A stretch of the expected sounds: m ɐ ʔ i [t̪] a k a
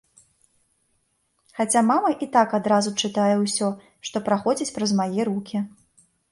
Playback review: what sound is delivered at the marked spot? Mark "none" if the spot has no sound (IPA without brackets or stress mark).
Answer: t̪